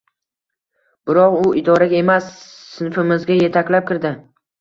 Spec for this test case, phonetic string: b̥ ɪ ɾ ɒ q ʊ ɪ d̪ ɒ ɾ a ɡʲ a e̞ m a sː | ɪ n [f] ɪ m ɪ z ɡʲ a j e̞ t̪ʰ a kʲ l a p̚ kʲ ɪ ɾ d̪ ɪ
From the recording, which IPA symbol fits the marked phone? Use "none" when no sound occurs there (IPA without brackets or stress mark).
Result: f